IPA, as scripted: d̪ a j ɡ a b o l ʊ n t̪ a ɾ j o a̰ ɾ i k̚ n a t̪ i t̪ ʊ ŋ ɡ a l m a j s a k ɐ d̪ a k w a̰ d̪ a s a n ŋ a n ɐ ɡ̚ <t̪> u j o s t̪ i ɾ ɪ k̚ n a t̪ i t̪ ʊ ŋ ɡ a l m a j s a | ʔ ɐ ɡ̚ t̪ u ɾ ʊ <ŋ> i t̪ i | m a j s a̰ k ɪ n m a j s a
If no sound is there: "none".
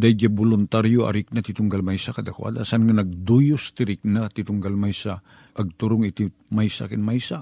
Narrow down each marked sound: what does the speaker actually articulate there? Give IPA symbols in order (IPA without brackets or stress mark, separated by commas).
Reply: d̪, ŋ